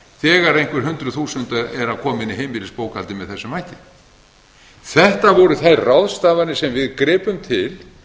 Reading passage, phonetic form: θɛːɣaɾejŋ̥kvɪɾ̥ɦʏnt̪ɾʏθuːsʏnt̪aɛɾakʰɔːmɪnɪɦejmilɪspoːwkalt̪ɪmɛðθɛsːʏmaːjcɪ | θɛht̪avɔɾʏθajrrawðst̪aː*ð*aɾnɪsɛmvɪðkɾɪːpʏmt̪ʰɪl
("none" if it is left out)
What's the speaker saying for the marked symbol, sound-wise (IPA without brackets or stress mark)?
v